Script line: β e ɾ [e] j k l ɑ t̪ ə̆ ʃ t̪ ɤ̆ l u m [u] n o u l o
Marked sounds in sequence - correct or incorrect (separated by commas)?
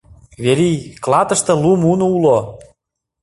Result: incorrect, correct